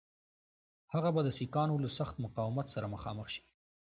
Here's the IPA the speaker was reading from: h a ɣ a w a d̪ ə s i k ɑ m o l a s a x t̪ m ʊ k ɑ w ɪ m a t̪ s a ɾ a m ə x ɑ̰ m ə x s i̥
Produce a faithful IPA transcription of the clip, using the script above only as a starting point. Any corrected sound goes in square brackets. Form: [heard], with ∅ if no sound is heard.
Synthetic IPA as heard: h a ɣ a [b] a d̪ ə s i k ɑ [n] o l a s a x t̪ m ʊ [q] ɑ w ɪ m a t̪ s a ɾ a m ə x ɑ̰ m ə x [ʃ] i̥